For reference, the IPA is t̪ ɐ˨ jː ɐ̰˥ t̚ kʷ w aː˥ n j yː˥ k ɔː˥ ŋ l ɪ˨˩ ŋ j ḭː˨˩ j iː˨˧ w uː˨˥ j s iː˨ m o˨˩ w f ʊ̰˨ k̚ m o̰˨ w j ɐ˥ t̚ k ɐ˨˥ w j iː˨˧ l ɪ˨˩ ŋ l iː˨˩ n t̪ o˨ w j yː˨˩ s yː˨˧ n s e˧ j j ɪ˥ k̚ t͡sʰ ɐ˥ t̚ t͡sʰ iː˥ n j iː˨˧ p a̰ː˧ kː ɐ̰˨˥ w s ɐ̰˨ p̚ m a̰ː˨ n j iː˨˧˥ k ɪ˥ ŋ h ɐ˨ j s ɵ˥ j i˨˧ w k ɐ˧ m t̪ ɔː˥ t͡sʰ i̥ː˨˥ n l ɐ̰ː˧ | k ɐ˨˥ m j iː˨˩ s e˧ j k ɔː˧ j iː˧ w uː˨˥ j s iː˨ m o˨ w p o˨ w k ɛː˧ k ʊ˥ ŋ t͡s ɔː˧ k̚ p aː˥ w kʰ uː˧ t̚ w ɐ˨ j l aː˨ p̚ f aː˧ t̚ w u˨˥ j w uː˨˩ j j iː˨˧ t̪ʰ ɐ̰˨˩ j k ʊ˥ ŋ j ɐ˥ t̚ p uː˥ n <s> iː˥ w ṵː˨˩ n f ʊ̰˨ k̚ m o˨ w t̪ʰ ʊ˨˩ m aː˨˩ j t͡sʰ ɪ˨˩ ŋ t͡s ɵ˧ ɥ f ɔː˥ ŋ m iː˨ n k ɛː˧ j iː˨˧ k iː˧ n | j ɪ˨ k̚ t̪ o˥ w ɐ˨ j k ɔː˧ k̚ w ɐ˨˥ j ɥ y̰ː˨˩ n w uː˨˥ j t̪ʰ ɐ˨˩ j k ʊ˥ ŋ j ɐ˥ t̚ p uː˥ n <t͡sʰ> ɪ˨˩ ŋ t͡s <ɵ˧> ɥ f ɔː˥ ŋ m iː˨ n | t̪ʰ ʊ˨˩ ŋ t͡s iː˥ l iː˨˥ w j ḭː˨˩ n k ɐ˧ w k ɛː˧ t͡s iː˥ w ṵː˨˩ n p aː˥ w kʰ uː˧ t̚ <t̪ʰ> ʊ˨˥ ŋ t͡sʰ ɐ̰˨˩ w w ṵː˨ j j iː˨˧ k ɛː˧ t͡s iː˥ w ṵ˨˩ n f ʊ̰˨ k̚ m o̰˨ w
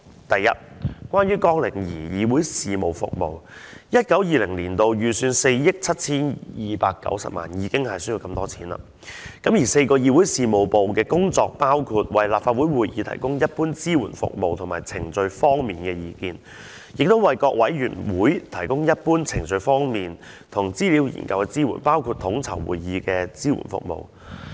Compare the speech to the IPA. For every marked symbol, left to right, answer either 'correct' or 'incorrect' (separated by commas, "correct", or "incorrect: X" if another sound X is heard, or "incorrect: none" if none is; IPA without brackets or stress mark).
incorrect: t͡s, correct, correct, correct